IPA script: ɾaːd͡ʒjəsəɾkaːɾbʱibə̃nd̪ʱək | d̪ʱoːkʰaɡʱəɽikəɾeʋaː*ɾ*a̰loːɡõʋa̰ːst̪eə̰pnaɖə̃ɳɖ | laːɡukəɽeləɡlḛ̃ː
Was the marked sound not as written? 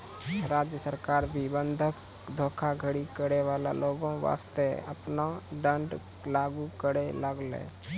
yes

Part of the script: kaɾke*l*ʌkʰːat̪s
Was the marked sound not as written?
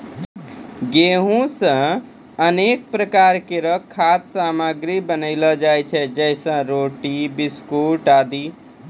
yes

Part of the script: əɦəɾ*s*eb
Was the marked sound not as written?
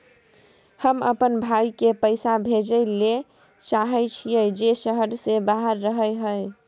no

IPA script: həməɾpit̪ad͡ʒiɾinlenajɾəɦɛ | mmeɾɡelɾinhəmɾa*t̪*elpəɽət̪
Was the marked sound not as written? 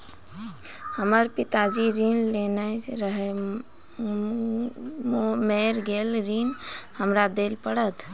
yes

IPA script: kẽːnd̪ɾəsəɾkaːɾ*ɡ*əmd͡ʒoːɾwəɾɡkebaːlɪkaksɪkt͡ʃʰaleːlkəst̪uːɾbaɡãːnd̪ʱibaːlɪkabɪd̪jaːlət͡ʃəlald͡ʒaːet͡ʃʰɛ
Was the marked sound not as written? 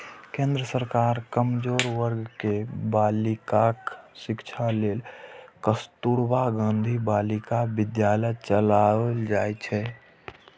yes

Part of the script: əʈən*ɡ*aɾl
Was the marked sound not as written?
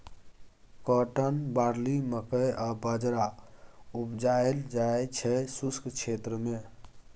yes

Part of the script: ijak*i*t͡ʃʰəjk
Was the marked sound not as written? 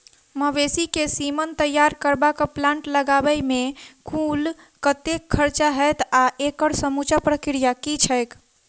no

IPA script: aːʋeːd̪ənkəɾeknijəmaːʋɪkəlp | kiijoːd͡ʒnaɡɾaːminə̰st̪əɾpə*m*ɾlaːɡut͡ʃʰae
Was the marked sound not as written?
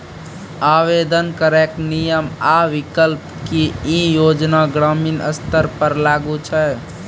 yes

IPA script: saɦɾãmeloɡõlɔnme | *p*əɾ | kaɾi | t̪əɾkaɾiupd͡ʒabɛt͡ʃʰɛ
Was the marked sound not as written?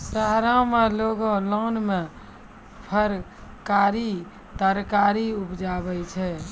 yes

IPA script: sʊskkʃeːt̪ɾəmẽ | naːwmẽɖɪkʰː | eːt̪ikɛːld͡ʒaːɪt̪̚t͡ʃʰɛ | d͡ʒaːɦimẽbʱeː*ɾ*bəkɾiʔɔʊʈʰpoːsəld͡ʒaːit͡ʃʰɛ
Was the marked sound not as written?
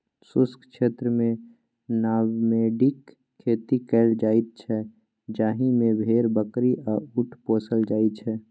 no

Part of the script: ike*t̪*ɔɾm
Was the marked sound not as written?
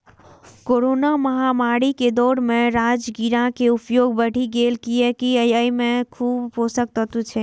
yes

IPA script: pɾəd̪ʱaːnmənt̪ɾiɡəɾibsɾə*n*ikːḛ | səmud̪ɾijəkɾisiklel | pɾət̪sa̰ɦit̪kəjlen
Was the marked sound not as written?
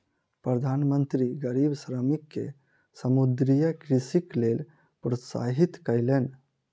yes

